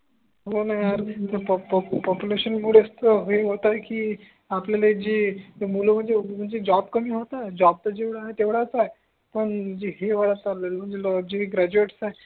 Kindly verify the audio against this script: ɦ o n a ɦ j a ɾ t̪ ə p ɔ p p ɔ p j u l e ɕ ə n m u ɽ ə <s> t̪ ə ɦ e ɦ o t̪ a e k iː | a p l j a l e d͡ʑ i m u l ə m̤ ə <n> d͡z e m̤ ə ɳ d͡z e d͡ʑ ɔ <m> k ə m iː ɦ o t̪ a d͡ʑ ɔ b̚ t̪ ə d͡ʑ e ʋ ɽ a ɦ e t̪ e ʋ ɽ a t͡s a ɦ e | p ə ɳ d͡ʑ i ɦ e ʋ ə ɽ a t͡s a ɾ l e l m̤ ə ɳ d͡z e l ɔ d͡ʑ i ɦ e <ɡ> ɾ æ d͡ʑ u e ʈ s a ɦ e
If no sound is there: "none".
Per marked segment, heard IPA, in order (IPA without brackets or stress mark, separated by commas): s, ɳ, b, ɡ